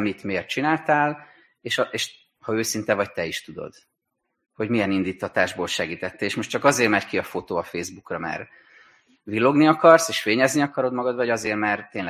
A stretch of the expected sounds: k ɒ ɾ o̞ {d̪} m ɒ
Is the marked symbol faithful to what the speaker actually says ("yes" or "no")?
yes